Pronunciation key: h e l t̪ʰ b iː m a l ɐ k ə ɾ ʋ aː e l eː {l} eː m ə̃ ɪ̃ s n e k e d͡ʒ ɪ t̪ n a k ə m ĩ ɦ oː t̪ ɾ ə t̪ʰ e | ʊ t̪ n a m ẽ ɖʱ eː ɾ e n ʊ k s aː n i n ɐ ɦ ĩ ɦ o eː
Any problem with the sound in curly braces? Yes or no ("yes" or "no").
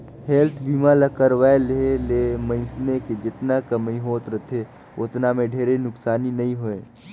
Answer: no